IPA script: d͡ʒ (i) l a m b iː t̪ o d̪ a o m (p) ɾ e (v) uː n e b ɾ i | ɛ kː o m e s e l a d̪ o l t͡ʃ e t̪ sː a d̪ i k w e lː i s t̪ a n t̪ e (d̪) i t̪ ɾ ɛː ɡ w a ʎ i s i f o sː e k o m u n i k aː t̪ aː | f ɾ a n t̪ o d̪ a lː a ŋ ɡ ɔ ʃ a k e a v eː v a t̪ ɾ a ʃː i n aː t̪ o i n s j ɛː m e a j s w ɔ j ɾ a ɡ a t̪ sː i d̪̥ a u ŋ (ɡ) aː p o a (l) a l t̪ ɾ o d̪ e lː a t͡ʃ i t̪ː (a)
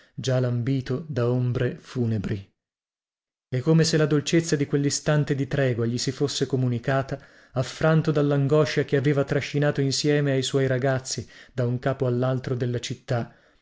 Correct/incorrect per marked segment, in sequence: incorrect: a, incorrect: b, incorrect: f, correct, incorrect: k, incorrect: lː, correct

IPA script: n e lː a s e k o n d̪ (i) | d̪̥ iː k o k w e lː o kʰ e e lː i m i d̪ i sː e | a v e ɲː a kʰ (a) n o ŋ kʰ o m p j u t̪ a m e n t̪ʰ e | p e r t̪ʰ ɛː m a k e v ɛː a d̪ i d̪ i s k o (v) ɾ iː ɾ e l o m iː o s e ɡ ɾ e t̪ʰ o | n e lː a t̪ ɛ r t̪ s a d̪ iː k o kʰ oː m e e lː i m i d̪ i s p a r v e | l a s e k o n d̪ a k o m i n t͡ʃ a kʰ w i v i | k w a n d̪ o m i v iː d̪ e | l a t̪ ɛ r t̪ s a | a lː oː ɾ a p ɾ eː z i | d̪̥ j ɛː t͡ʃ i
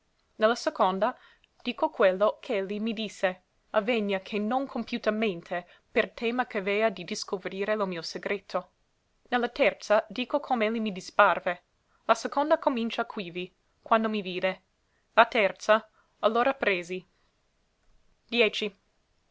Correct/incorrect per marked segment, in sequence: incorrect: a, incorrect: e, correct

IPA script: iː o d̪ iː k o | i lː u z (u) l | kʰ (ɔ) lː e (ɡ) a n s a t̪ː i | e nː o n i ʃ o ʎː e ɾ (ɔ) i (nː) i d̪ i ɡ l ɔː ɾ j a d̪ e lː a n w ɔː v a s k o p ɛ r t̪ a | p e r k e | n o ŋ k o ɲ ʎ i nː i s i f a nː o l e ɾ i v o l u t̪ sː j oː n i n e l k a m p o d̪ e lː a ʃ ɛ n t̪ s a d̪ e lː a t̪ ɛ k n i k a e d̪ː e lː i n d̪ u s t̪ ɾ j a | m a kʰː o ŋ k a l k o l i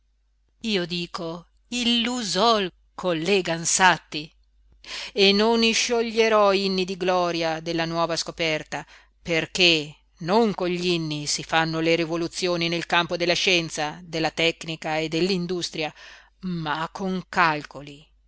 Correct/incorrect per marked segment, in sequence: incorrect: ɔ, incorrect: o, correct, correct, correct

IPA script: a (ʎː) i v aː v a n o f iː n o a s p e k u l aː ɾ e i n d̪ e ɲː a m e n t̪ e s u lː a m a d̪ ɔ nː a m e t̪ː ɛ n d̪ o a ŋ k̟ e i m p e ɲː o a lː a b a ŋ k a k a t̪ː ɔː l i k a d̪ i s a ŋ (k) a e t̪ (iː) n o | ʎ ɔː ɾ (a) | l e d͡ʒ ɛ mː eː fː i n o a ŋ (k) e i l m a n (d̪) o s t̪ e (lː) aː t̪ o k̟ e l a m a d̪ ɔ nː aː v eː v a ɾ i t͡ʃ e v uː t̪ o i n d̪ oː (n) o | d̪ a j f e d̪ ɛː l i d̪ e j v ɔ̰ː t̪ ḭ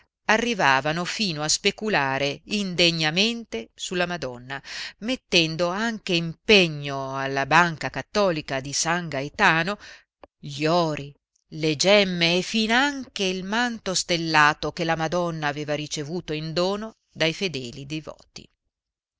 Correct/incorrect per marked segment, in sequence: incorrect: rː, incorrect: ɡ, incorrect: aː, incorrect: i, correct, incorrect: t̪, correct, correct

